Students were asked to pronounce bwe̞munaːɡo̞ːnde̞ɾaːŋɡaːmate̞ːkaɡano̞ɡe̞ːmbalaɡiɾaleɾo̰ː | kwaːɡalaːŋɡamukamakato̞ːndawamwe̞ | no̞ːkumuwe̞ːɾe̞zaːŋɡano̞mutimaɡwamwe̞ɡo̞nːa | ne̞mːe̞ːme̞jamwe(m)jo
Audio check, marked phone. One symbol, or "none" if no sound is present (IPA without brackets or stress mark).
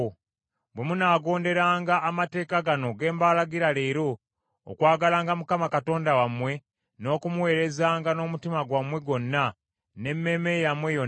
none